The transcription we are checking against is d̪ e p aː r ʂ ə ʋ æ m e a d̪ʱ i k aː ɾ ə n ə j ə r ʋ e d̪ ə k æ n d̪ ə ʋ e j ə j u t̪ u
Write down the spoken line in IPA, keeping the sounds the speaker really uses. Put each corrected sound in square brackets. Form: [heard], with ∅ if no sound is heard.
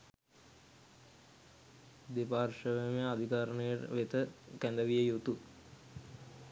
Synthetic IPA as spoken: d̪ e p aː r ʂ ə ʋ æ m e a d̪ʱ i k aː ɾ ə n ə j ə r ʋ e [t̪] ə k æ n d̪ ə ʋ [i] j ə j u t̪ u